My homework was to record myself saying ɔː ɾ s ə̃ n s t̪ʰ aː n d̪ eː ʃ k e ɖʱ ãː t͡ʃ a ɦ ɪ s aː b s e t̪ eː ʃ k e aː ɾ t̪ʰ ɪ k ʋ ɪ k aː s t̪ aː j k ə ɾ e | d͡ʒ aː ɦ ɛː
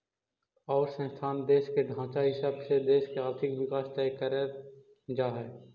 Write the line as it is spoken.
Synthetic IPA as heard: ɔː ɾ s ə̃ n s t̪ʰ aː n d̪ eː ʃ k e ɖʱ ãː t͡ʃ a ɦ ɪ s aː b s e d̪ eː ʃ k e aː ɾ t̪ʰ ɪ k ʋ ɪ k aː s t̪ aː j k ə ɾ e | d͡ʒ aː ɦ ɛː